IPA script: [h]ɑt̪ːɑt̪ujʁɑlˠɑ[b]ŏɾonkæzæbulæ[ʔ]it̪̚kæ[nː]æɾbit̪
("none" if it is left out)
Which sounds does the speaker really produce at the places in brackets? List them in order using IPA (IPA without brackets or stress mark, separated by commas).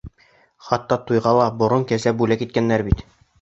χ, b, k, nː